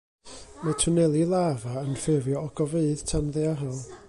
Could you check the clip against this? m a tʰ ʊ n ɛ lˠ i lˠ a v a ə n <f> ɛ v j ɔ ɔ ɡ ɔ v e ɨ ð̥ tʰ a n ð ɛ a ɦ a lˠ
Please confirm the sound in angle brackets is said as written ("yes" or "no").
yes